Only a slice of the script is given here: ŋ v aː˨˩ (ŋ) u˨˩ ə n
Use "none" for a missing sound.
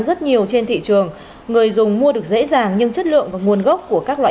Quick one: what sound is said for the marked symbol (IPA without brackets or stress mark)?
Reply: ŋ